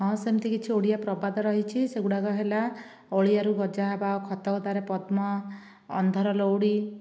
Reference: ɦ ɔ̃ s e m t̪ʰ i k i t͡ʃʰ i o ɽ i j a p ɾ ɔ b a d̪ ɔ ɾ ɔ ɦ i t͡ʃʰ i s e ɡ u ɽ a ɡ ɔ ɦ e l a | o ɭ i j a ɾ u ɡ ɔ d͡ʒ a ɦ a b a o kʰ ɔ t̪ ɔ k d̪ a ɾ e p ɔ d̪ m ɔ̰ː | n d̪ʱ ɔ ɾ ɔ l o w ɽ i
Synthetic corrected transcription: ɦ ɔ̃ s e m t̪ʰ i k i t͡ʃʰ i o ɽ i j a p ɾ ɔ b a d̪ ɔ ɾ ɔ ɦ i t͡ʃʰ i s e ɡ u ɽ a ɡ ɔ ɦ e l a | o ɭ i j a ɾ u ɡ ɔ d͡ʒ a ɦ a b a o kʰ ɔ t̪ ɔ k d̪ a ɾ e p ɔ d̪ m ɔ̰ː | n d̪ʱ ɔ ɾ ɔ l o w ɽ i